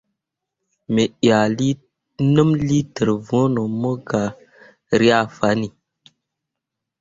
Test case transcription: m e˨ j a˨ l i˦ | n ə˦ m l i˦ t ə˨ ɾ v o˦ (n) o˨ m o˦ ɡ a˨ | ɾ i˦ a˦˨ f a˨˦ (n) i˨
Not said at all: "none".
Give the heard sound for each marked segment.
n, n

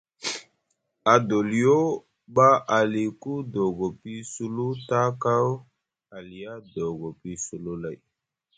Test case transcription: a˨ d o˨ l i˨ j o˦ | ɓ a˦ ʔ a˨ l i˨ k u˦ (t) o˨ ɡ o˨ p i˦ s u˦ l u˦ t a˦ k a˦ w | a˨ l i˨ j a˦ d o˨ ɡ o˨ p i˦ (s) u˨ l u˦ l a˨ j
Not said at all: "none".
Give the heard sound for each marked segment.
d, s

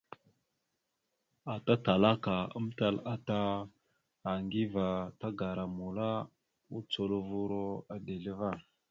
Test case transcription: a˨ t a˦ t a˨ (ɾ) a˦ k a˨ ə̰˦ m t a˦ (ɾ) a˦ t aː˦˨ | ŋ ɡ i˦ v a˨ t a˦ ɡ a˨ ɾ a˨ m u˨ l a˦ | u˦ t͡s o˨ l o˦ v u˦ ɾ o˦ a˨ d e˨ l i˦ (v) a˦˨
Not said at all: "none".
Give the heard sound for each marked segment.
l, l, v

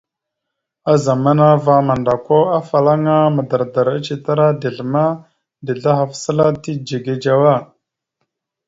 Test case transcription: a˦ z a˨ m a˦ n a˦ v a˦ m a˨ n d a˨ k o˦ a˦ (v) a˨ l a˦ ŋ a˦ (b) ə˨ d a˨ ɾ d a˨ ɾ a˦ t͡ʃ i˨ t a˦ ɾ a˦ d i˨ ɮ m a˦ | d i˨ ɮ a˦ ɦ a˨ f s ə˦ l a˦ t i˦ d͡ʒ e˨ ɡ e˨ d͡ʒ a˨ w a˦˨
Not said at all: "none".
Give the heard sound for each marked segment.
f, m

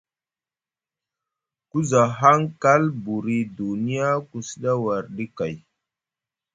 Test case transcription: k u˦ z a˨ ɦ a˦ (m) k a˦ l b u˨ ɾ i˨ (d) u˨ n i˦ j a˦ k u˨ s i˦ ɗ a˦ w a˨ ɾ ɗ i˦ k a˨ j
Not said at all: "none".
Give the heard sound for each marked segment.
ŋ, d

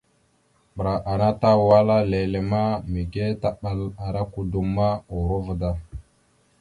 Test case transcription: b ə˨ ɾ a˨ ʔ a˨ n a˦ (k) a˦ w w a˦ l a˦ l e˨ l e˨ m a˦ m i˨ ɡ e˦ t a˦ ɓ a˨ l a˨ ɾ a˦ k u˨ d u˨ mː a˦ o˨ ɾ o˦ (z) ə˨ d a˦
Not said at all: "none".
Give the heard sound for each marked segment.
t, v

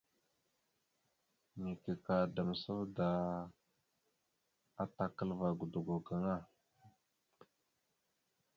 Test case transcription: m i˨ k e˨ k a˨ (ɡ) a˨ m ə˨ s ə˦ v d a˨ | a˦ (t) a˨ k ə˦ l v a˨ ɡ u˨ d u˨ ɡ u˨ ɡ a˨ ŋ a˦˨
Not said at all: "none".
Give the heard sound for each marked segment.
d, t

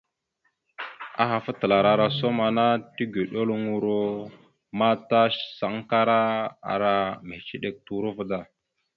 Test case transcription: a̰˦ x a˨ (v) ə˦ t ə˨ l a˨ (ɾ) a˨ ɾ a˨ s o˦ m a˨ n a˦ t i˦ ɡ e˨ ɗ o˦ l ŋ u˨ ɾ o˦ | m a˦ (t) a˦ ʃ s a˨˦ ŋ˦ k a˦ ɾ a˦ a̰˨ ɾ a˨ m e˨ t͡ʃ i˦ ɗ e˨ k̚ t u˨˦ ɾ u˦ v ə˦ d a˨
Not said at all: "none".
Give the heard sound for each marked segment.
f, ɾ, t

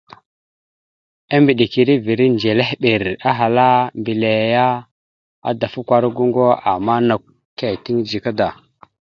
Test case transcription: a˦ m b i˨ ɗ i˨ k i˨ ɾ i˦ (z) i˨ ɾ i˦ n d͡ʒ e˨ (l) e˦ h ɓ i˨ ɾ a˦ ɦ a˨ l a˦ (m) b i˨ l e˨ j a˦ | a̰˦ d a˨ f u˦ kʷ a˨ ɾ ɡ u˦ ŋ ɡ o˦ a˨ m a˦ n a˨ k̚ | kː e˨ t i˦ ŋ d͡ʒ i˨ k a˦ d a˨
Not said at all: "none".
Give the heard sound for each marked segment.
v, l, m

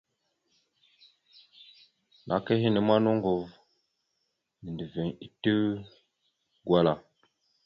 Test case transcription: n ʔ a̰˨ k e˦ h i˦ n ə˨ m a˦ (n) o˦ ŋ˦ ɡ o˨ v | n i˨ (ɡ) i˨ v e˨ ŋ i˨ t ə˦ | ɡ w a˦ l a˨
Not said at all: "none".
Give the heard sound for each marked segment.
n, d

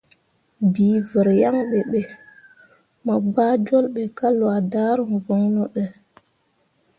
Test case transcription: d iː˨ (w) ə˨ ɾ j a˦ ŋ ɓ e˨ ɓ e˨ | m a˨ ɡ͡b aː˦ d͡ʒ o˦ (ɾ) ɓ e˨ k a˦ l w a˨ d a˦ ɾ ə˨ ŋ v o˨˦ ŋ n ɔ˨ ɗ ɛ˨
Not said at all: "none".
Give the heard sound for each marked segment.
v, l

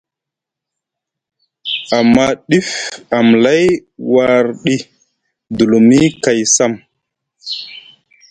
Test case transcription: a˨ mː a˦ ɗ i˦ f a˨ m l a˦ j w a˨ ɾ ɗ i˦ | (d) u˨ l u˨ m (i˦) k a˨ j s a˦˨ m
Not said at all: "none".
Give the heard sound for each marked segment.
d, i˦

